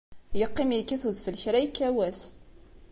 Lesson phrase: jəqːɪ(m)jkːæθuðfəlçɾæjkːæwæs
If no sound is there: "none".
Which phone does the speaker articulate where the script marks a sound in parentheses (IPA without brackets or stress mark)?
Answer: m